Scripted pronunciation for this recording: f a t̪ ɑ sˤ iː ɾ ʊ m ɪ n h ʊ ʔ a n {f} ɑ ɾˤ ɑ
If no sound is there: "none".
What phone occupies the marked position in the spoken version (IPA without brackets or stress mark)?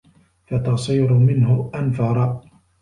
f